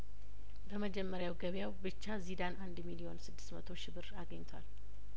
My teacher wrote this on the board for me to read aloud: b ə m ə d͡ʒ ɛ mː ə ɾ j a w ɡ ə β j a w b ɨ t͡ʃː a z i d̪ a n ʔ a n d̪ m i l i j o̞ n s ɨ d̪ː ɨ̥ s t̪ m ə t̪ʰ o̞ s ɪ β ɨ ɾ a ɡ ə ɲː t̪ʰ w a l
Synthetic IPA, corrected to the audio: b ə m ə d͡ʒ ɛ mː ə ɾ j a w ɡ ə β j a w b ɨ t͡ʃː a z i d̪ a n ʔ a n d̪ m i l i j o̞ n s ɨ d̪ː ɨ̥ s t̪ m ə t̪ʰ o̞ ʃ ɪ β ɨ ɾ a ɡ ə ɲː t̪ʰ w a l